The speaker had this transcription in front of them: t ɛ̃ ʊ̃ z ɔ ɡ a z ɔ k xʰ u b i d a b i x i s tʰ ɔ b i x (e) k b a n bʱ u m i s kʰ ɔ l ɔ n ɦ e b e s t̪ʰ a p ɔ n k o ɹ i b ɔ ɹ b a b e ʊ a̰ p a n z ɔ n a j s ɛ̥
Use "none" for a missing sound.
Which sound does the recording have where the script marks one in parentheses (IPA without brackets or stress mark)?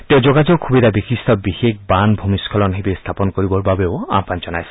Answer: e